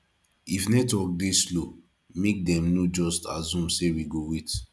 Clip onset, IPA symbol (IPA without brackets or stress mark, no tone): i